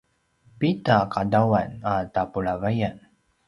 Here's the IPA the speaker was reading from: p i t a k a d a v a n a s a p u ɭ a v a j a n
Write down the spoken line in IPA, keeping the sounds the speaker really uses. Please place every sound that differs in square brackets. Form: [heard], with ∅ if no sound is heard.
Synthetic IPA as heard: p i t a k a d a [w] a n a [t] a p u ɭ a v a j a n